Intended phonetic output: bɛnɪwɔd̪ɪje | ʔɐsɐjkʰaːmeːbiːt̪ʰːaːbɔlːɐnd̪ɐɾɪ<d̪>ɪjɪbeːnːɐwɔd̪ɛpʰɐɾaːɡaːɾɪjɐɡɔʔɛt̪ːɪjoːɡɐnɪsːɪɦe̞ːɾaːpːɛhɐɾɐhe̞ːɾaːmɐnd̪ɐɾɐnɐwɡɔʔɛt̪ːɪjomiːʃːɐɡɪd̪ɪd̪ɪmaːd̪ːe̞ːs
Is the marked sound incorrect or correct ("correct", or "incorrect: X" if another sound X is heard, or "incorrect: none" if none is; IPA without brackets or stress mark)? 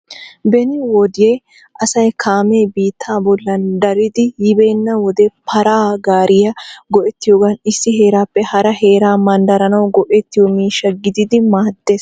correct